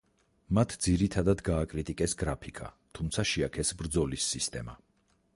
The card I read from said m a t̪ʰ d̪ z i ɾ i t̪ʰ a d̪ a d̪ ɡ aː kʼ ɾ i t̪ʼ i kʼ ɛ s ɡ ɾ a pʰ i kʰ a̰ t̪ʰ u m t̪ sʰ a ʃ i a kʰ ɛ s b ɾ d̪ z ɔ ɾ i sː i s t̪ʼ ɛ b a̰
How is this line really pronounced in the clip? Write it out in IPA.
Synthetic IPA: m a t̪ʰ d̪ z i ɾ i t̪ʰ a d̪ a d̪ ɡ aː kʼ ɾ i t̪ʼ i kʼ ɛ s ɡ ɾ a pʰ i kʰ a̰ t̪ʰ u m t̪ sʰ a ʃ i a kʰ ɛ s b ɾ d̪ z ɔ l i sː i s t̪ʼ ɛ m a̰